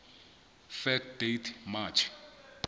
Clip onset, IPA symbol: f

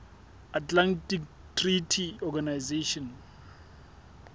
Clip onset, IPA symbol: a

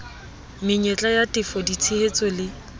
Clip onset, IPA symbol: m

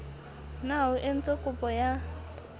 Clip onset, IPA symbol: n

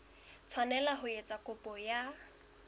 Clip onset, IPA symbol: t͡sʰ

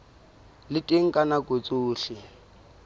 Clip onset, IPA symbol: l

